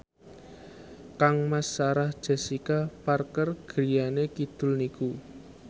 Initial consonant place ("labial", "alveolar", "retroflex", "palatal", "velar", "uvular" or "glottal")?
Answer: velar